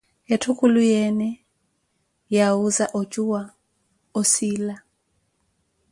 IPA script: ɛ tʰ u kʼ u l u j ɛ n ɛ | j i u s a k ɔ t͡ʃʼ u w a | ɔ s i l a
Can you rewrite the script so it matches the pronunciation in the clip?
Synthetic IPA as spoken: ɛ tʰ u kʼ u l u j ɛ n ɛ | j a u z a ʔ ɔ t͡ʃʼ u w a | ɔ s i l a

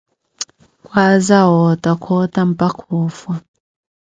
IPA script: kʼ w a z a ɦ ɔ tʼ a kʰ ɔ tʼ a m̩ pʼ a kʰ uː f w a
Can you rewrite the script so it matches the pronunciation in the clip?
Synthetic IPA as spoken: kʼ w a z a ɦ ɔ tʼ a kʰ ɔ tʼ a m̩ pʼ a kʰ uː f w a

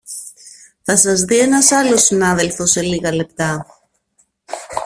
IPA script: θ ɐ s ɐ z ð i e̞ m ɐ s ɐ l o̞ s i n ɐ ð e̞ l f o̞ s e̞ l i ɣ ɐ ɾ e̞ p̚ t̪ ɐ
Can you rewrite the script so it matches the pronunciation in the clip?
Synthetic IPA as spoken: θ ɐ s ɐ z ð i e̞ n ɐ s ɐ l o̞ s i n ɐ ð e̞ l f o̞ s e̞ l i ɣ ɐ l e̞ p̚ t̪ ɐ

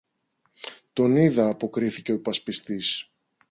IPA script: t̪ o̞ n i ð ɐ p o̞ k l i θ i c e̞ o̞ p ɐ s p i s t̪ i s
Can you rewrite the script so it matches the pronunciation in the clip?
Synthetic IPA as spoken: t̪ o̞ n i ð ɐː p o̞ k ɾ i θ i c e̞ o̞ p ɐ s p i s t̪ i s

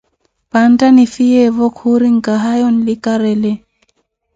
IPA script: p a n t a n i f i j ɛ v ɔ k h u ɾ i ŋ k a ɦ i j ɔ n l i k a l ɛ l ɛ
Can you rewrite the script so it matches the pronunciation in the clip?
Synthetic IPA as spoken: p a n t a n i f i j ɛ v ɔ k h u ɾ i ŋ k a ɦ a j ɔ n l i k a ɾ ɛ l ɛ

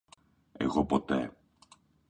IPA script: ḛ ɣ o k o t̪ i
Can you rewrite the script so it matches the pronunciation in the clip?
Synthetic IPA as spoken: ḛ ɣ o p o t̪ e

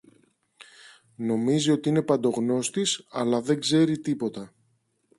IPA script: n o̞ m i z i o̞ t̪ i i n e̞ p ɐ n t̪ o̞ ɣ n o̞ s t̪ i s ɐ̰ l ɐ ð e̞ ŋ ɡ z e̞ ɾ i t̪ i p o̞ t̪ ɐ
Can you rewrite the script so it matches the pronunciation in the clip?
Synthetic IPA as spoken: n o̞ m i z i o̞ t̪ i i n e̞ p ɐ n d̪ o̞ ɣ n o̞ s t̪ i s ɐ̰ l ɐ ð e̞ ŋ ɡ z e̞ ɾ i t̪ i p o̞ t̪ ɐ

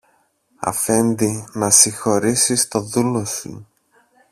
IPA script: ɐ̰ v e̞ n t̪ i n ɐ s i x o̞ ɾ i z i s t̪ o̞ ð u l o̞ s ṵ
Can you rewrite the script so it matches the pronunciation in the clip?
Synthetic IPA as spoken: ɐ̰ f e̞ n d̪ i n ɐ s i x o̞ ɾ i s i s t̪ o̞ ð u l o̞ s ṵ

